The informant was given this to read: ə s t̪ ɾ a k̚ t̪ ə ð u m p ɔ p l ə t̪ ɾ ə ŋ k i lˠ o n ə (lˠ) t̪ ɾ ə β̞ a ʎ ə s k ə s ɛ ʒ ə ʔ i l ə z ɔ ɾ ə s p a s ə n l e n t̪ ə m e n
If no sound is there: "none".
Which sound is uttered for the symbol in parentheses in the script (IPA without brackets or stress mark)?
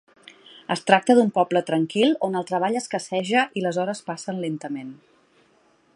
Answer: lˠ